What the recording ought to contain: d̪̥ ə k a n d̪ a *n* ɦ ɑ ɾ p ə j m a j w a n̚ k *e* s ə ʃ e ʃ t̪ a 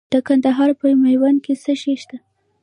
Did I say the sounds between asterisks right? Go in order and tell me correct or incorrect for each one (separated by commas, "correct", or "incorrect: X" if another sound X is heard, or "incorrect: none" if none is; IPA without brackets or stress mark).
incorrect: none, correct